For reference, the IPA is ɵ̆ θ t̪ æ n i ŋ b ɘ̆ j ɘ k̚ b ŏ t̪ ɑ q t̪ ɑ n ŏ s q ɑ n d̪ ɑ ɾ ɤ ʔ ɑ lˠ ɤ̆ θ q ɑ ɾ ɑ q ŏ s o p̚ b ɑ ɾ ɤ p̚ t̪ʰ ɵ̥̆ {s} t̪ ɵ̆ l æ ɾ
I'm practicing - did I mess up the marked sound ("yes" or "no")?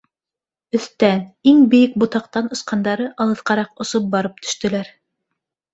yes